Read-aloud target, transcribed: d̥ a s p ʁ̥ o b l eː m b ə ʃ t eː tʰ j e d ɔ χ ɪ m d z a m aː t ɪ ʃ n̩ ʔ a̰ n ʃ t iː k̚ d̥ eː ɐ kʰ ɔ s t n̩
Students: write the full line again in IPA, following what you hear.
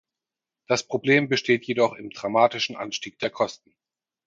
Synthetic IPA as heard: d̥ a s p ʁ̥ o b l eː m b ə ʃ t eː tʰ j e d ɔ χ ɪ m d ʁ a m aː t ɪ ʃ n̩ ʔ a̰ n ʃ t iː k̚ d̥ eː ɐ kʰ ɔ s t n̩